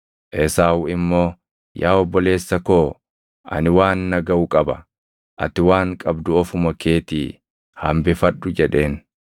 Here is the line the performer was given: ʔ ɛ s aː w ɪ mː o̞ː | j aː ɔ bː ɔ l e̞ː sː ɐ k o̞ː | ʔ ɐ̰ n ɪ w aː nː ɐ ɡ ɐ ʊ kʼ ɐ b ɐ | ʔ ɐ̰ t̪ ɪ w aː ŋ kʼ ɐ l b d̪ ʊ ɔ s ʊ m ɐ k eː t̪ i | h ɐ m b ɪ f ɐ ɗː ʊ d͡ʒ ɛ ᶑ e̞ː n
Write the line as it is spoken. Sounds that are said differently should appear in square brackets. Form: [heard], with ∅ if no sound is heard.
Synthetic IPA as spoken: ʔ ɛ s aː w ɪ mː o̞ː | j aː ɔ bː ɔ l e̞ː sː ɐ k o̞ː | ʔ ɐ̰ n ɪ w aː nː ɐ ɡ ɐ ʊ kʼ ɐ b ɐ | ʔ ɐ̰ t̪ ɪ w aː ŋ kʼ ɐ [∅] b d̪ ʊ ɔ [f] ʊ m ɐ k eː t̪ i | h ɐ m b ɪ f ɐ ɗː ʊ d͡ʒ ɛ ᶑ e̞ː n